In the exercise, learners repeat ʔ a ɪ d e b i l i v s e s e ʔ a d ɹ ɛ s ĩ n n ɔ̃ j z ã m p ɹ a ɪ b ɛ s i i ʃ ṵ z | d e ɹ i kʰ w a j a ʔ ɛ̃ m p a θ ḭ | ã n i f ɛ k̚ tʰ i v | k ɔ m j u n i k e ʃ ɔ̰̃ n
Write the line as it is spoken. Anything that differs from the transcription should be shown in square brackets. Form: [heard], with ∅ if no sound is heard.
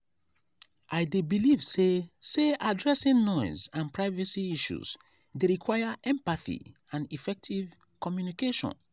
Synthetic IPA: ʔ a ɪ d e b i l i v s e s e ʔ a d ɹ ɛ s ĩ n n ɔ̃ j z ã [n] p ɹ a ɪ [v] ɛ s i i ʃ ṵ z | d e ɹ i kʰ w a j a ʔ ɛ̃ m p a θ ḭ | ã n i f ɛ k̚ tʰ i v | k ɔ m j u n i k e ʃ ɔ̰̃ n